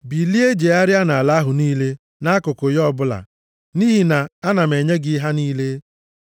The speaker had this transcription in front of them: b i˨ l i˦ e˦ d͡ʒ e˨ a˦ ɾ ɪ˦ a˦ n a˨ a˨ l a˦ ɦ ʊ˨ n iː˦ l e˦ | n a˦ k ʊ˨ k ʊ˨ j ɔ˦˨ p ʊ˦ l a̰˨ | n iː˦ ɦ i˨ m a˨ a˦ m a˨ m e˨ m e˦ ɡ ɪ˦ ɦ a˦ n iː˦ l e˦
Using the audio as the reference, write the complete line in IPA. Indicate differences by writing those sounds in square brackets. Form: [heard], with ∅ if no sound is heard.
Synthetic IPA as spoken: b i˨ l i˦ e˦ d͡ʒ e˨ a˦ ɾ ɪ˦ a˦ n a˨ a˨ l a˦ ɦ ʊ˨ n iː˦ l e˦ | n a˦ k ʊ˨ k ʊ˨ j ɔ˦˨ [b] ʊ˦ l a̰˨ | n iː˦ ɦ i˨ [n] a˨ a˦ [n] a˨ m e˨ [ɲ] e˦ ɡ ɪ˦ ɦ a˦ n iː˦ l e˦

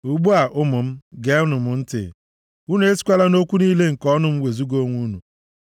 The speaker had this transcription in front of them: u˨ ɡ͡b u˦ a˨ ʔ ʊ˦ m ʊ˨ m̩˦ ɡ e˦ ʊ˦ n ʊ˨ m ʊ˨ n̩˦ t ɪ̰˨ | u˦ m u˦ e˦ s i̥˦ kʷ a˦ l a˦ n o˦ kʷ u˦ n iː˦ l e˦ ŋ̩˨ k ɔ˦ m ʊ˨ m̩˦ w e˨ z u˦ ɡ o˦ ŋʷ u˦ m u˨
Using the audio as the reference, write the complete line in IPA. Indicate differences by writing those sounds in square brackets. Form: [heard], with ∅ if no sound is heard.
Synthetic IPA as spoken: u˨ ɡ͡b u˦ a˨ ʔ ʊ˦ m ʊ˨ m̩˦ ɡ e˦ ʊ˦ n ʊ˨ m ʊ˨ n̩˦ t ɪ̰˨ | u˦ [n] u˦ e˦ s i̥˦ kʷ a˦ l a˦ n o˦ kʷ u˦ n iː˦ l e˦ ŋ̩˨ k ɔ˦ [n] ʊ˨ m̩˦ w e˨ z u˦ ɡ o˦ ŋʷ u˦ [n] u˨

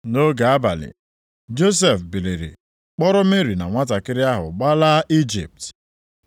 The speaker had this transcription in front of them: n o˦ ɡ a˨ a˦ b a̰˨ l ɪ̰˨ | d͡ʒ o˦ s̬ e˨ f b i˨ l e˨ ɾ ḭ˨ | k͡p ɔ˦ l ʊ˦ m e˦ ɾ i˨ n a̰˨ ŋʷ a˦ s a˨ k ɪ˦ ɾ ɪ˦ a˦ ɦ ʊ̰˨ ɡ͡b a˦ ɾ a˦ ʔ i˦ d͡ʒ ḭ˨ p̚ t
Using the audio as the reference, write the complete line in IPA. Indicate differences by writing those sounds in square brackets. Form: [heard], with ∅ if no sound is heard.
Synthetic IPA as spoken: n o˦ ɡ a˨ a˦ b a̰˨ l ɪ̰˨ | d͡ʒ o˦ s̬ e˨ f b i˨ l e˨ ɾ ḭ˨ | k͡p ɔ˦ [ɾ] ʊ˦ m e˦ ɾ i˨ n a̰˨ ŋʷ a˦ [t] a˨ k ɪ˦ ɾ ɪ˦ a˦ ɦ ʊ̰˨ ɡ͡b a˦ [l] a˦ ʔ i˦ d͡ʒ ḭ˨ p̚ t

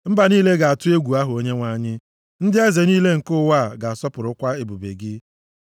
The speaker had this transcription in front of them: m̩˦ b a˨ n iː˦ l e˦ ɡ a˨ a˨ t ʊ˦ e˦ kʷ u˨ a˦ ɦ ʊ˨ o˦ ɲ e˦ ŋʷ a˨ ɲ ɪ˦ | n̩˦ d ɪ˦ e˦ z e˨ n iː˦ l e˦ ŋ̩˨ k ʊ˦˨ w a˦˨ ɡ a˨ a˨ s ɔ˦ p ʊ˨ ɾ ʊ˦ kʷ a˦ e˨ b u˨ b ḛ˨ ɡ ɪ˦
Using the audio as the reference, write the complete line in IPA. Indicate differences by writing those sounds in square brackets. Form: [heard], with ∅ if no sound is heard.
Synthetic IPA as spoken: m̩˦ b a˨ n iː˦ l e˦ ɡ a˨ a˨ t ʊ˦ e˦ [ɡʷ] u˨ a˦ ɦ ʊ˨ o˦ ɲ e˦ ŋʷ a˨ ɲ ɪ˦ | n̩˦ d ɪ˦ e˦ z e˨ n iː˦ l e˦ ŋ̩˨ k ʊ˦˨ w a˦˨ ɡ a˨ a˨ s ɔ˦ p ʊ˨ ɾ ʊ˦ kʷ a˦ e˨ b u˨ b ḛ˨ ɡ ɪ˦

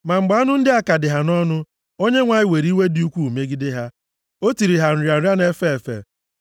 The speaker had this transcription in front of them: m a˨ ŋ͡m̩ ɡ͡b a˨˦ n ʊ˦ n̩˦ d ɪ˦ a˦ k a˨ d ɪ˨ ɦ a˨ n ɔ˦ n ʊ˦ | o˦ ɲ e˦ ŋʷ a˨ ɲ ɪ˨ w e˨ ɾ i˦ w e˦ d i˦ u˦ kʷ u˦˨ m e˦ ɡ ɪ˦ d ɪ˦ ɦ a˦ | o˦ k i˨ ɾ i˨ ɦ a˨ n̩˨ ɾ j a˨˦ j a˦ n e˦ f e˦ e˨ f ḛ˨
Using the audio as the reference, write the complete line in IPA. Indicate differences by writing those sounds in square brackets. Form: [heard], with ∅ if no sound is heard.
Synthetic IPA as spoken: m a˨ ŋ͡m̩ ɡ͡b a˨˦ n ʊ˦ n̩˦ d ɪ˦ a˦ k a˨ d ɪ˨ ɦ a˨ n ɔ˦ n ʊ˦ | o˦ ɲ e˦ ŋʷ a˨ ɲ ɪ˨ w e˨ ɾ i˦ w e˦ d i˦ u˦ kʷ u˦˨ m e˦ ɡ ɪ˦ d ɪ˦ ɦ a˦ | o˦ [t] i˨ ɾ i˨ ɦ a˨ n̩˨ ɾ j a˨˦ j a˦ n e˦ f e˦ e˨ f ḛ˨

